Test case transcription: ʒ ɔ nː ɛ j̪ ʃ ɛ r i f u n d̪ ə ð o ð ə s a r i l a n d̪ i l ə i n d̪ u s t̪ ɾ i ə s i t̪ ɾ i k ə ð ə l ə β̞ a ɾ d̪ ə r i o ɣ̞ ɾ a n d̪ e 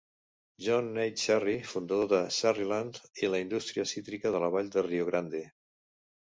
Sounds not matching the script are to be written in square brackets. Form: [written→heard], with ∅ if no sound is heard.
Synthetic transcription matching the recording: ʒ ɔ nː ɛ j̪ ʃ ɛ r i f u n d̪ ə ð o ð ə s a r i l a n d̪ i l ə i n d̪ u s t̪ ɾ i ə s i t̪ ɾ i k ə ð ə l ə β̞ a [ɾ→ʎ] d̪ ə r i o ɣ̞ ɾ a n d̪ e